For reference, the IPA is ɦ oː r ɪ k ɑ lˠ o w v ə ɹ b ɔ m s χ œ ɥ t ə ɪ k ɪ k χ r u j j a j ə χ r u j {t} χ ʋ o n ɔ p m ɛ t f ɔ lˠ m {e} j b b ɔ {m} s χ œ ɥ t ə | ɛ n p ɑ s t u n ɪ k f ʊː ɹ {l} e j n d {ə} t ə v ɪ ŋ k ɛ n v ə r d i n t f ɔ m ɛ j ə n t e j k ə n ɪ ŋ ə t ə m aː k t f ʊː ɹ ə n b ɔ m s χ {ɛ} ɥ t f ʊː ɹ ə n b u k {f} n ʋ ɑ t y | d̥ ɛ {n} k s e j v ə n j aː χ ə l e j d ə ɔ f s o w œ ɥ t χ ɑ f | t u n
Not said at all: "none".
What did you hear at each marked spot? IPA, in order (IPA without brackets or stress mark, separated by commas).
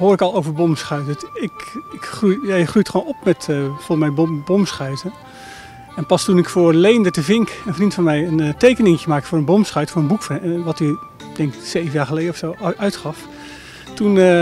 t, ɛ, m, l, ə, œ, f, ŋ